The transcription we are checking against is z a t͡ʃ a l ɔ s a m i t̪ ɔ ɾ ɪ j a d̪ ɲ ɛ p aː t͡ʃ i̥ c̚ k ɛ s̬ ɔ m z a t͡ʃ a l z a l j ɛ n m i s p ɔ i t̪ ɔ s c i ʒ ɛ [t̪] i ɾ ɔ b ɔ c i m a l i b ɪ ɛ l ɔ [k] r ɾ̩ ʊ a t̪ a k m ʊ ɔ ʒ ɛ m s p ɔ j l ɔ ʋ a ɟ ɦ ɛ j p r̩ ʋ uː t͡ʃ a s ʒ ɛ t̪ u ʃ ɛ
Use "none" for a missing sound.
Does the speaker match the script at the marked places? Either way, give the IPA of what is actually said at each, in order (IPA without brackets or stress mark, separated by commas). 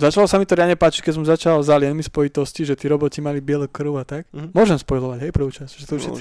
t̪, k